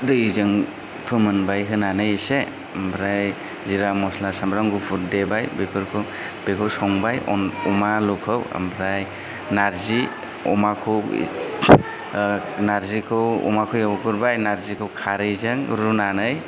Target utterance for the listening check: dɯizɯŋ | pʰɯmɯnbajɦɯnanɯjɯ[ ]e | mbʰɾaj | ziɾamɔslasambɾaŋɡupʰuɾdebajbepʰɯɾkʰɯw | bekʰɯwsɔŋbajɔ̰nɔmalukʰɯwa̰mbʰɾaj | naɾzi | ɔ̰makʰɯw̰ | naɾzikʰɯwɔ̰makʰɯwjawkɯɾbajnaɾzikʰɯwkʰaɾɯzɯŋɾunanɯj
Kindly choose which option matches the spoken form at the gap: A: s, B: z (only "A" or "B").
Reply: A